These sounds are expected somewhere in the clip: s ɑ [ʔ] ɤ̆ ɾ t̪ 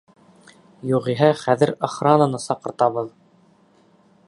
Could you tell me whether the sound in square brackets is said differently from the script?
yes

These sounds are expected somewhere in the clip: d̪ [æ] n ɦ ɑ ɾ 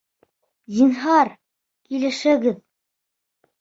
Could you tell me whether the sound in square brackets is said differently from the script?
yes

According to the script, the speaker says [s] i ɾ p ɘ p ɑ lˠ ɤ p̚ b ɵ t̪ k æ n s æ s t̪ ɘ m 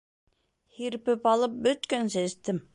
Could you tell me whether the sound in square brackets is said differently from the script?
yes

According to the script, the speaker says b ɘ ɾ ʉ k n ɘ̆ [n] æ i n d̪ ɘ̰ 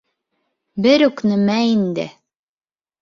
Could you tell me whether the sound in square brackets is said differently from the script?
yes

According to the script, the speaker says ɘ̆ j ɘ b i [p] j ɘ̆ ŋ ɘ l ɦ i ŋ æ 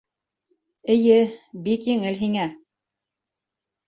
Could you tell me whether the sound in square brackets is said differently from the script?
yes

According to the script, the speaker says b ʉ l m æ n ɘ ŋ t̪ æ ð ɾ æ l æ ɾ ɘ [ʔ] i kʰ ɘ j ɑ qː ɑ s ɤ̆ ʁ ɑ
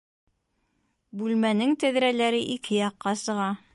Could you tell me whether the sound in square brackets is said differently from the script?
no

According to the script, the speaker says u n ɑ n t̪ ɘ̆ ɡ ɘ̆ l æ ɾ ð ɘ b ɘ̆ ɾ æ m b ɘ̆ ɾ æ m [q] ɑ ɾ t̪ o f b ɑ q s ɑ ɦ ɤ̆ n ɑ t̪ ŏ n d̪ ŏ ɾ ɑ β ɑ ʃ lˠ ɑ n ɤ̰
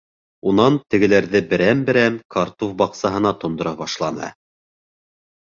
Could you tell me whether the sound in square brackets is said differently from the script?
yes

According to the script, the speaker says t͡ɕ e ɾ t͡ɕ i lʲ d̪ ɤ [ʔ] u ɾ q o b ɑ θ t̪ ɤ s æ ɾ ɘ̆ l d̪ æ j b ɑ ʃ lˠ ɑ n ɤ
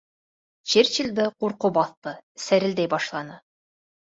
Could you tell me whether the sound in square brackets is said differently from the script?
yes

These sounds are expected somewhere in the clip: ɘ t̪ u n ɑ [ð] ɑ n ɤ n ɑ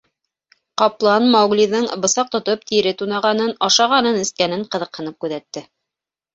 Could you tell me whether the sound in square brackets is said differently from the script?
yes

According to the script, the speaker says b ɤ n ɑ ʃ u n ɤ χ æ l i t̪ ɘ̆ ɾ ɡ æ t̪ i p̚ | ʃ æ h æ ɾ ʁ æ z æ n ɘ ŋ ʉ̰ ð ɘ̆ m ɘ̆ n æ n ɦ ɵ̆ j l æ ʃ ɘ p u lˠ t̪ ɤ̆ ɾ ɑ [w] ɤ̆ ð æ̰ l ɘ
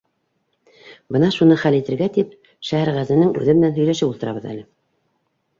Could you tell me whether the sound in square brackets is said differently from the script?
yes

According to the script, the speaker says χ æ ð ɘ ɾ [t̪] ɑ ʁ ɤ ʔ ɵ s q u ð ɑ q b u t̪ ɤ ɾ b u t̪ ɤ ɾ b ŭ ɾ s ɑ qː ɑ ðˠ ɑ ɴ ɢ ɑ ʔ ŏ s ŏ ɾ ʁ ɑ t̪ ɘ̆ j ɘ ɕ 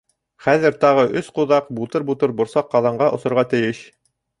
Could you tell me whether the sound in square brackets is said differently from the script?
no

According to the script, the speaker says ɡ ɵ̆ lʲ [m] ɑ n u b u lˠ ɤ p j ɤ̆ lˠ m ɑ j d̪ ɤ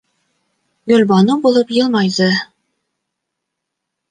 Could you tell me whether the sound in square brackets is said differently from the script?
yes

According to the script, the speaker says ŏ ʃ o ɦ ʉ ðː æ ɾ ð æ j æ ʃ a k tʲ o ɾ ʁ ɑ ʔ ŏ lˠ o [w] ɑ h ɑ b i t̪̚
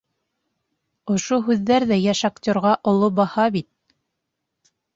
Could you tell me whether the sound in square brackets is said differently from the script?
yes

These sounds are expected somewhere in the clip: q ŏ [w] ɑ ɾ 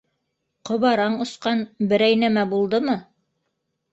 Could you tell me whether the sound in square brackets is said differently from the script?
yes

